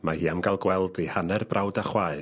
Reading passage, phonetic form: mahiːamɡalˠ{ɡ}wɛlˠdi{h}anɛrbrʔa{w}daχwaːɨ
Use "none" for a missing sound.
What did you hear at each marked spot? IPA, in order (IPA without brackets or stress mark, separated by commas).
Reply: ɡ, h, w